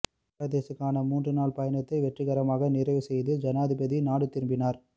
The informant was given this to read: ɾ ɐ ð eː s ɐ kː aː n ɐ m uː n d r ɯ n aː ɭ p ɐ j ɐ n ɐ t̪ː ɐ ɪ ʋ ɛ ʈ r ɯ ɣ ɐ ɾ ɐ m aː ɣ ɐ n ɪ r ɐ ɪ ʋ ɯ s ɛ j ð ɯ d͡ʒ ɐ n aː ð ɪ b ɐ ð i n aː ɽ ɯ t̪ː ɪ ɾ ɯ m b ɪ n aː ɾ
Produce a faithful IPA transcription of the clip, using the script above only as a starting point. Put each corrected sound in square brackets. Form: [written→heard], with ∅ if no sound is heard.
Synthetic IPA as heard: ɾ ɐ ð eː s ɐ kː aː n ɐ m uː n d r ɯ n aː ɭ p ɐ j ɐ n ɐ t̪ː ɐ ɪ ʋ ɛ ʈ r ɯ ɣ ɐ ɾ ɐ m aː ɣ ɐ n ɪ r ɐ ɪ ʋ ɯ s ɛ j ð ɯ d͡ʒ ɐ n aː ð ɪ b ɐ ð i n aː ɽ ɯ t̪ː ɪ ɾ ɯ m b ɪ n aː ɾ